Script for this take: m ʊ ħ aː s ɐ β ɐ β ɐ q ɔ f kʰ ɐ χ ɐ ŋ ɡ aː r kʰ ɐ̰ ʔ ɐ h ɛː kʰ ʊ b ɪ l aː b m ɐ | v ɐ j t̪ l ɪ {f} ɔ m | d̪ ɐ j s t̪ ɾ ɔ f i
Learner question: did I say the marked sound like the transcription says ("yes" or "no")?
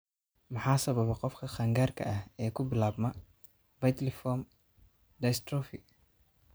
yes